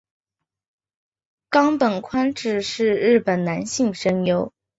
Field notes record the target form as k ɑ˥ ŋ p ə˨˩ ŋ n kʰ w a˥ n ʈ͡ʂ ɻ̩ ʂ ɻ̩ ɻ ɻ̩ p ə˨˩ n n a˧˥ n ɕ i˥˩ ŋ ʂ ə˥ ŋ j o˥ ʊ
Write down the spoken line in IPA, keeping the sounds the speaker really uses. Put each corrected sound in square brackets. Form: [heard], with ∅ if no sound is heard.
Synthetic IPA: k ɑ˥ ŋ p ə˨˩ [∅] n kʰ w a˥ n ʈ͡ʂ ɻ̩ ʂ ɻ̩ ɻ ɻ̩ p ə˨˩ n n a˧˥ n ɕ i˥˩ ŋ ʂ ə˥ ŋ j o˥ ʊ